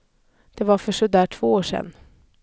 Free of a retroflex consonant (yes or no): no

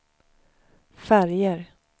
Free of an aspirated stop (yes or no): yes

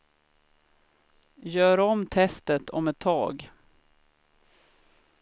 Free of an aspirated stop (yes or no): no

